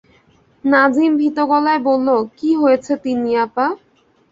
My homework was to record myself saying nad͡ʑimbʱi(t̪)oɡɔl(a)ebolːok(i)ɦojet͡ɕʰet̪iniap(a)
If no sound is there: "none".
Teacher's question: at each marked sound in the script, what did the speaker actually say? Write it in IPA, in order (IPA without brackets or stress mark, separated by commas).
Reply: t̪, a, i, a